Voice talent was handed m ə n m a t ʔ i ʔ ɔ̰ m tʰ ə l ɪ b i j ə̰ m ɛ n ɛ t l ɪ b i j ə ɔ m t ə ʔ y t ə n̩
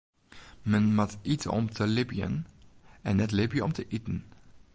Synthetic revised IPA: m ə n m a t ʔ i t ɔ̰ m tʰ ə l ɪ b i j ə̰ n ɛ n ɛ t l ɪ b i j ə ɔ m t ə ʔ i t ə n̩